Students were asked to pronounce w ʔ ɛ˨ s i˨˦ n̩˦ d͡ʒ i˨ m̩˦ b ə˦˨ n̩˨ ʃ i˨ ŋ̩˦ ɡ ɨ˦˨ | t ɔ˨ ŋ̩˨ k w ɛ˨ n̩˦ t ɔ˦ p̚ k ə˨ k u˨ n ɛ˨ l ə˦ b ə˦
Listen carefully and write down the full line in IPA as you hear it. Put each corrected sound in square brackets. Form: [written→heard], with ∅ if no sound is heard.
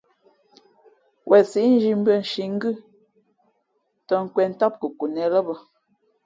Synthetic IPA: w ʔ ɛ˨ s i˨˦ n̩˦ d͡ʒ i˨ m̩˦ b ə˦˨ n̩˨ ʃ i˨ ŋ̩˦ ɡ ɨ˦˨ | t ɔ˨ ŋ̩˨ k w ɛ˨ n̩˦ t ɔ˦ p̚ k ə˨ k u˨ n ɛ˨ l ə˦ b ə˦